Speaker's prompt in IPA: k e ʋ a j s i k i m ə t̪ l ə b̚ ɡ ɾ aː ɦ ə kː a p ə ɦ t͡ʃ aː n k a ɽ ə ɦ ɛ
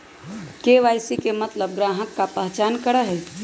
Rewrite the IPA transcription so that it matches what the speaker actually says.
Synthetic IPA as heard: k e ʋ a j s i k e m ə t̪ l ə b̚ ɡ ɾ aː ɦ ə kː a p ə ɦ t͡ʃ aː n k ə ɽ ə ɦ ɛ